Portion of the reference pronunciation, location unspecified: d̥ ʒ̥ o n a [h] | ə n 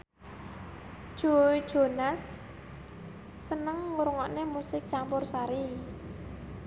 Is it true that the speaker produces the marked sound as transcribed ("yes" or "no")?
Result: no